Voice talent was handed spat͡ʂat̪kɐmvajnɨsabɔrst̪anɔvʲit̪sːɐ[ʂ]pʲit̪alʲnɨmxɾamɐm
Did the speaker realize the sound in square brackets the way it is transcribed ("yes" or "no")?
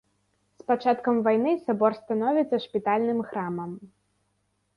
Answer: yes